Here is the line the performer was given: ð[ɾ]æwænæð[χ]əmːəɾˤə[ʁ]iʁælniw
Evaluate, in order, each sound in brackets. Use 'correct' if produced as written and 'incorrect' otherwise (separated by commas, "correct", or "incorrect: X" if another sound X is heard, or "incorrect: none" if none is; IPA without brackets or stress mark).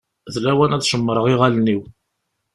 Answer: incorrect: l, incorrect: ʃ, correct